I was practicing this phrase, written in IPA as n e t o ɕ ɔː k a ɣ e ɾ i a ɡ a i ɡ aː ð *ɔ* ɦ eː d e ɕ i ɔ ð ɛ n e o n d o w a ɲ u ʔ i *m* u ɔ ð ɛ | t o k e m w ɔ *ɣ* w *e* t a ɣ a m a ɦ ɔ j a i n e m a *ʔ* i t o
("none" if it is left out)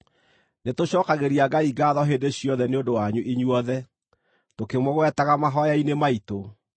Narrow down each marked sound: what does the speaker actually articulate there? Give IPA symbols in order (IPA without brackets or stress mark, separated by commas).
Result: ɔ, ɲ, ɣ, ɛ, none